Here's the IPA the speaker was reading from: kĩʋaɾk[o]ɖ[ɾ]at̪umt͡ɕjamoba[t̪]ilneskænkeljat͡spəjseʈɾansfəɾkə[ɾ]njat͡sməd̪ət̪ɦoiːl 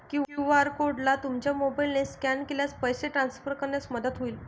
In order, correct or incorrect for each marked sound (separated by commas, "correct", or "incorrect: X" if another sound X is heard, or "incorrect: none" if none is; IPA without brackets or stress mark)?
correct, incorrect: l, incorrect: none, correct